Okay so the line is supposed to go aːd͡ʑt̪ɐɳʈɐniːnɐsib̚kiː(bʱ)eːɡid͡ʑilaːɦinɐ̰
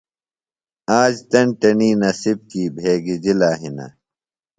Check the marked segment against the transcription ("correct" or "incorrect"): correct